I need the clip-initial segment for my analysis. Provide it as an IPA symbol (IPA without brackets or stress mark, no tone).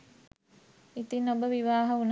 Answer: i